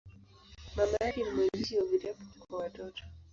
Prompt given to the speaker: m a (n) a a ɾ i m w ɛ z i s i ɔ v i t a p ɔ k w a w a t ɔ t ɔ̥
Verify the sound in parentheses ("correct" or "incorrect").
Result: incorrect